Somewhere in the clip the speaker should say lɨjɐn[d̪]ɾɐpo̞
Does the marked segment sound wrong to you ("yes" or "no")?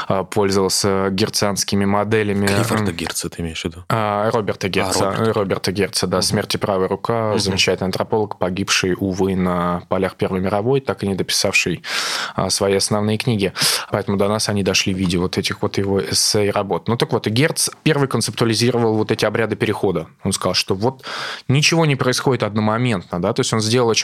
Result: yes